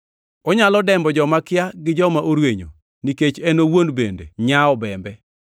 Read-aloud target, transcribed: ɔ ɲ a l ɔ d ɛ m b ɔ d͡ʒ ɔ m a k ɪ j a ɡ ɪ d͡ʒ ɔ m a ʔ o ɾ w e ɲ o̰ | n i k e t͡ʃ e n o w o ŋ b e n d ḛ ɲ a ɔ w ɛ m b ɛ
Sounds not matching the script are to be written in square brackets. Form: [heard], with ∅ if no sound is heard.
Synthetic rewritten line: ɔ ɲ a l ɔ d ɛ m b ɔ d͡ʒ ɔ m a k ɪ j a ɡ ɪ d͡ʒ ɔ m a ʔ o ɾ w e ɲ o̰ | n i k e t͡ʃ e n o w o [n] b e n d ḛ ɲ a ɔ [b] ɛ m b ɛ